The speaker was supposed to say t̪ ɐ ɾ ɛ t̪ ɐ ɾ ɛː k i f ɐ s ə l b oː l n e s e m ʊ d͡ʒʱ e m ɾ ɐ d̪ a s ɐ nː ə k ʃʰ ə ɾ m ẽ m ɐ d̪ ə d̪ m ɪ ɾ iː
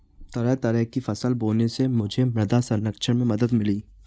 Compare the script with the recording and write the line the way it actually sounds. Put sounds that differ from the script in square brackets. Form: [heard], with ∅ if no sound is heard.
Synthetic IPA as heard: t̪ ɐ ɾ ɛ t̪ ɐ ɾ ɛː k i f ɐ s ə l b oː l n e s e m ʊ d͡ʒʱ e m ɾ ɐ d̪ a s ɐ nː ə k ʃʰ ə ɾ m ẽ m ɐ d̪ ə d̪ m ɪ [l] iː